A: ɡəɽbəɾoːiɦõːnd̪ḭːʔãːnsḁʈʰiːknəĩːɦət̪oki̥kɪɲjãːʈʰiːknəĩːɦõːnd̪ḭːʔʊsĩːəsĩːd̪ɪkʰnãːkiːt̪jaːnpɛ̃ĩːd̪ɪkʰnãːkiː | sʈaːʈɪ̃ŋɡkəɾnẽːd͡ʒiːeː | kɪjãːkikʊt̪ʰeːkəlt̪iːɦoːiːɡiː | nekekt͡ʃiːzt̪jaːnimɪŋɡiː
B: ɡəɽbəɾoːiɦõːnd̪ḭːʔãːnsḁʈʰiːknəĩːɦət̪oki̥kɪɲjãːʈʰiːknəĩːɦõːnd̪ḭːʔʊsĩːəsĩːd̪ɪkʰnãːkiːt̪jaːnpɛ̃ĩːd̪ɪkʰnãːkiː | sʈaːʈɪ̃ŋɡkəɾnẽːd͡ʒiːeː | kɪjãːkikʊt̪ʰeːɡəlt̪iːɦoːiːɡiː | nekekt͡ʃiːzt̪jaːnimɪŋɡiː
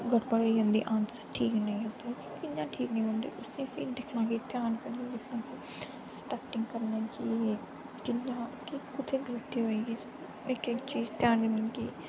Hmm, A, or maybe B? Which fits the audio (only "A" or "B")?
B